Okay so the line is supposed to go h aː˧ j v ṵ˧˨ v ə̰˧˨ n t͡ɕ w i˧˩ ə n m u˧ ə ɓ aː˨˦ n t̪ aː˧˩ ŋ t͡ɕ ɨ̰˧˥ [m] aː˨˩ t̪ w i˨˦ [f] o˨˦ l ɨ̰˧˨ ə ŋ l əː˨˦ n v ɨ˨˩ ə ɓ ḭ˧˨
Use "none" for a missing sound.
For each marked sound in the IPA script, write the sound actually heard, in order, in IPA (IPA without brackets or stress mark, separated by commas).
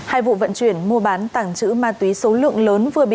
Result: m, s